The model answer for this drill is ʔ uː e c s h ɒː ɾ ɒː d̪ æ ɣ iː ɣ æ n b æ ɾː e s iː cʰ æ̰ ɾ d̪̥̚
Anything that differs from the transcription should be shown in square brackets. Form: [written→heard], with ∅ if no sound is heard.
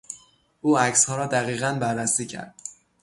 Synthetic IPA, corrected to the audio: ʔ uː [e→æ] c s h ɒː ɾ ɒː d̪ æ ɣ iː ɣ æ n b æ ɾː [e→æ] s iː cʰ æ̰ ɾ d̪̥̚